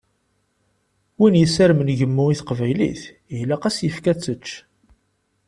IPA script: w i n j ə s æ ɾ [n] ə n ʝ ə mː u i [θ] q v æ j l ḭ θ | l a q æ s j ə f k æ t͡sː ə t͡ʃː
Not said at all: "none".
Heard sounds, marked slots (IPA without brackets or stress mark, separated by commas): m, θ